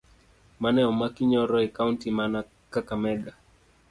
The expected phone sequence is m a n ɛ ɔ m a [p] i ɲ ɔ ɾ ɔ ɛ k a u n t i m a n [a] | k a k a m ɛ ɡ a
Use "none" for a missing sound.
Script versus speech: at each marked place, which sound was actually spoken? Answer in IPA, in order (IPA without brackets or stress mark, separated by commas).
k, a